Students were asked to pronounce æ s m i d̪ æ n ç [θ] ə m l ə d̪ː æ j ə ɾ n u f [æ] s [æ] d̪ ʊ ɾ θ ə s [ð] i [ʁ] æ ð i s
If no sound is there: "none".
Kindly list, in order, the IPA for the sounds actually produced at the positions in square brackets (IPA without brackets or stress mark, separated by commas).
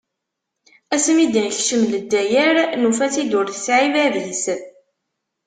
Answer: ʃ, æ, i, ʕ, v